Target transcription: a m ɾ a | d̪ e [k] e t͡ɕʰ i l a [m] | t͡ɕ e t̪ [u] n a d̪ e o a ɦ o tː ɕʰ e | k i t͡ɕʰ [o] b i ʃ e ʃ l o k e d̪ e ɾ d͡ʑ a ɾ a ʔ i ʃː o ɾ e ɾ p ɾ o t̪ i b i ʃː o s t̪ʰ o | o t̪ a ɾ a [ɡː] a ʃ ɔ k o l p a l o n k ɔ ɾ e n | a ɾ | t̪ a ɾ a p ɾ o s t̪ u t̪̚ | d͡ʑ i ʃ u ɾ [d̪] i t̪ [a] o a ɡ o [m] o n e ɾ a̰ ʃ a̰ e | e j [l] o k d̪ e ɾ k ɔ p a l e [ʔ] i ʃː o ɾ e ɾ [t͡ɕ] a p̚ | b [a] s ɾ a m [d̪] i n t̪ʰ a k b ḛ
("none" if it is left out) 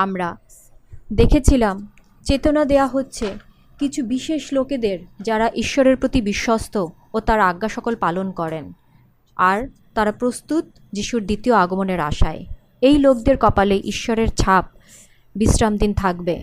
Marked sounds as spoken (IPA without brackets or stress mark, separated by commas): kʰ, m, o, u, ɡː, d̪, i, m, l, ʔ, t͡ɕʰ, i, d̪